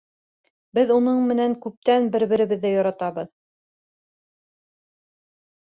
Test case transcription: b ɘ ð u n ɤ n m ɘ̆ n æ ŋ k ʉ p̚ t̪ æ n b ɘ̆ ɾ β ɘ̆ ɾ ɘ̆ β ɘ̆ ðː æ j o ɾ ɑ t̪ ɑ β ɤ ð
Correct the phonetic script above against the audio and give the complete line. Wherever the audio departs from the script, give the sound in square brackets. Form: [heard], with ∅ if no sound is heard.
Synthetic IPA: b ɘ ð u n ɤ [ɴ] m ɘ̆ n æ ŋ k ʉ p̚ t̪ æ n b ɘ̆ ɾ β ɘ̆ ɾ ɘ̆ β ɘ̆ ðː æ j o ɾ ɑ t̪ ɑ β ɤ ð